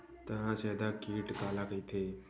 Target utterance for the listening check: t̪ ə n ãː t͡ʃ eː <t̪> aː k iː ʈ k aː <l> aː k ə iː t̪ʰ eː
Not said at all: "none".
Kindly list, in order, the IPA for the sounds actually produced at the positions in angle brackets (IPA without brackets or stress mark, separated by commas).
d̪, l